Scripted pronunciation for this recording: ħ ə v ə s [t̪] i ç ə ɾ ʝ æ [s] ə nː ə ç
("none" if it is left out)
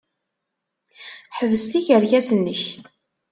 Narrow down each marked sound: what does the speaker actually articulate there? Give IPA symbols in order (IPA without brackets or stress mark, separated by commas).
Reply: t̪, s